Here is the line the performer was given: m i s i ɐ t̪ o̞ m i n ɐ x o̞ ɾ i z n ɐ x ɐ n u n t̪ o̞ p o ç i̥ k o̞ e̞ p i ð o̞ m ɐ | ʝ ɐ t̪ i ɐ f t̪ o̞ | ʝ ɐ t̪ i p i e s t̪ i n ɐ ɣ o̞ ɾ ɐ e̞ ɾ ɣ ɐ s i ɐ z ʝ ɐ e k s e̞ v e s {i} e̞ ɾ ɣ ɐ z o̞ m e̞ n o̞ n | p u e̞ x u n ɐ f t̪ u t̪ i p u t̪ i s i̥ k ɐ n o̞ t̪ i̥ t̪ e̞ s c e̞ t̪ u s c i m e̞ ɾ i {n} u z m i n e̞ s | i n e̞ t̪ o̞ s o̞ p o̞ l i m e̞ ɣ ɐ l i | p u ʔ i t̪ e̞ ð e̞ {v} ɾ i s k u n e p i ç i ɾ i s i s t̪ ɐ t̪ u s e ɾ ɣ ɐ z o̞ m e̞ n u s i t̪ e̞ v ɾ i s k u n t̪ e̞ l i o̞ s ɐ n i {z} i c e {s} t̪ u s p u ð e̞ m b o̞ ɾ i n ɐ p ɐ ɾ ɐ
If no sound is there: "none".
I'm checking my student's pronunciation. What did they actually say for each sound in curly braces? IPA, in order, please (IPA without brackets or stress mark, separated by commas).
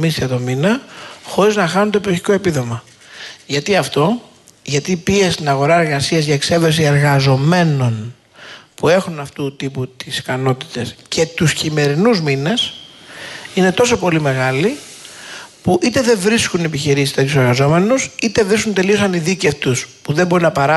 i, n, v, ð, f